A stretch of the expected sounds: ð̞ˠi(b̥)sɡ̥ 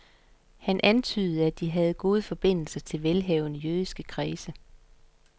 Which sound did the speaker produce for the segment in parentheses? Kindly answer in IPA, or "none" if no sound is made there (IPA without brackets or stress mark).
none